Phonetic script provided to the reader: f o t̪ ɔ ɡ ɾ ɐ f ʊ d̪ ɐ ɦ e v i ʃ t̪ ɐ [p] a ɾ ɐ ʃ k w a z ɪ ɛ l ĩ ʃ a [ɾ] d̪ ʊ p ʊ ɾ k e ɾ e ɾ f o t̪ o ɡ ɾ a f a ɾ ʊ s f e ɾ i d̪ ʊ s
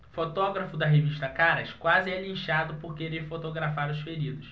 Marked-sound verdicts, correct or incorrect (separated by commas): incorrect, incorrect